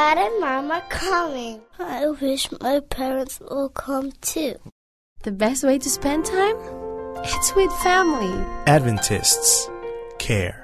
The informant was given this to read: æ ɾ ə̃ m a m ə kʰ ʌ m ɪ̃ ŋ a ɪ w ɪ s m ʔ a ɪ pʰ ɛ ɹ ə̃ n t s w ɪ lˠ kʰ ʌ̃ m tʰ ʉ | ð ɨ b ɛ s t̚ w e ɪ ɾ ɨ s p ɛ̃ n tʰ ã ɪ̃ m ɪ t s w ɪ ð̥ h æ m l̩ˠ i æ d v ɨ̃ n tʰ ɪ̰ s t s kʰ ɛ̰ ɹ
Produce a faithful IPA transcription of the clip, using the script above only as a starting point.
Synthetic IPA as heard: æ ɾ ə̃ m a m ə kʰ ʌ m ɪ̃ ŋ a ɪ w ɪ ʃ m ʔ a ɪ pʰ ɛ ɹ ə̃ n t s w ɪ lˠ kʰ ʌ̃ m tʰ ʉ | ð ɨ b ɛ s t̚ w e ɪ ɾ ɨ s p ɛ̃ n tʰ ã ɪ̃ m ɪ t s w ɪ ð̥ f æ m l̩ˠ i æ d v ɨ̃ n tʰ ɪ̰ s t s kʰ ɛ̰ ɹ